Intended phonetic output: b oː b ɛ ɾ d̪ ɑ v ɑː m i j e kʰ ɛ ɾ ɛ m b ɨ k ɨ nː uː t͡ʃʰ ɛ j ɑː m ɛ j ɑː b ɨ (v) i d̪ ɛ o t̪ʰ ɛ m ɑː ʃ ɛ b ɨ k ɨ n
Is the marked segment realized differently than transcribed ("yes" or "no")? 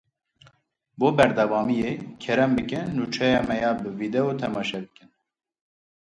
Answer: no